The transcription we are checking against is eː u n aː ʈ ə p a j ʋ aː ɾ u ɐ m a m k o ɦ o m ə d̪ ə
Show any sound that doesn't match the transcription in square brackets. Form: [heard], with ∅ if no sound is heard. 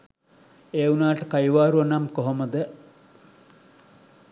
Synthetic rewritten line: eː u n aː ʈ ə [k] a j ʋ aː ɾ u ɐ [n] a m k o ɦ o m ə d̪ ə